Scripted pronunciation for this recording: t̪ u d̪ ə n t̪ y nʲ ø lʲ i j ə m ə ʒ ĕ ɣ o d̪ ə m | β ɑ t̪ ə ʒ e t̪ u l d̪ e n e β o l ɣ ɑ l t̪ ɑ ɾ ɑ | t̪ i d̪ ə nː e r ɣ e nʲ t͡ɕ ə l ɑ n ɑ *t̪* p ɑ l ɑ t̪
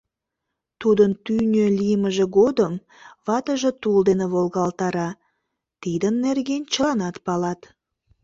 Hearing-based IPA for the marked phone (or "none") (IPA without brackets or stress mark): t̪